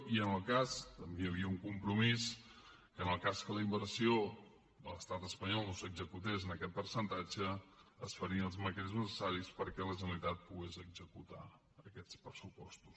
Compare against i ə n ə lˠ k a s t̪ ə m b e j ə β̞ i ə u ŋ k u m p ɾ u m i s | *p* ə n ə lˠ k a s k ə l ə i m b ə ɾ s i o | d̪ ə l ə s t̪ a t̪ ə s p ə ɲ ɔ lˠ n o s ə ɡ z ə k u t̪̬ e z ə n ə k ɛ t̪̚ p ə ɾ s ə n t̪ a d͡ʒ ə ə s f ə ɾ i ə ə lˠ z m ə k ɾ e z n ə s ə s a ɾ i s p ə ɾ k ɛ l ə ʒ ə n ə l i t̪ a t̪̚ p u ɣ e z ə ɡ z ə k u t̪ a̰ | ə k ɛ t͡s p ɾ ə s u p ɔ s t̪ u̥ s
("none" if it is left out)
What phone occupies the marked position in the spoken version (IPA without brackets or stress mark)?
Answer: k